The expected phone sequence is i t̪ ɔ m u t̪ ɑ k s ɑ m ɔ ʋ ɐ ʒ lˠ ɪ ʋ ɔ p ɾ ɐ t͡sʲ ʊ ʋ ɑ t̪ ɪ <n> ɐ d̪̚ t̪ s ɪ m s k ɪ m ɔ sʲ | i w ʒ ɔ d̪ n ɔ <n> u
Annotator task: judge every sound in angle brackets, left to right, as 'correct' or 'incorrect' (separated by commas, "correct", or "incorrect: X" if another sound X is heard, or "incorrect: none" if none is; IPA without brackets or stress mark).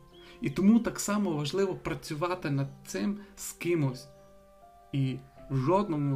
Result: correct, incorrect: m